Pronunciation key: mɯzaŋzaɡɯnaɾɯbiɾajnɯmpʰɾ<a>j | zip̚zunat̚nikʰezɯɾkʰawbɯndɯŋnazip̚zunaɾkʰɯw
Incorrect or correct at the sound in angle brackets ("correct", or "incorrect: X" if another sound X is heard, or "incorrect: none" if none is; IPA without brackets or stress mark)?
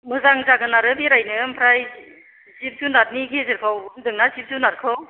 correct